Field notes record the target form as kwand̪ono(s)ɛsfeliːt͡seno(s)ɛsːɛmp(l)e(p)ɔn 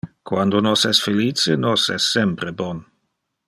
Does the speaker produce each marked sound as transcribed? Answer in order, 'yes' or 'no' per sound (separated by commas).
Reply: yes, yes, no, no